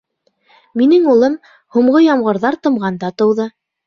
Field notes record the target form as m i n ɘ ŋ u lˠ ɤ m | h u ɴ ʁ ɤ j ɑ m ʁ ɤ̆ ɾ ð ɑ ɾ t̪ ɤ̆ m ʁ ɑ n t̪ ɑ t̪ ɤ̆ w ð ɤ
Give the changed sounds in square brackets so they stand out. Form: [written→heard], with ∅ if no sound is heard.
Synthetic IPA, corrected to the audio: m i n ɘ ŋ u lˠ ɤ m | h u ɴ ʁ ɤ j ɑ m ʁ ɤ̆ ɾ ð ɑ ɾ t̪ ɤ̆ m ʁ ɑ n [t̪→d̪] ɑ t̪ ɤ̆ w ð ɤ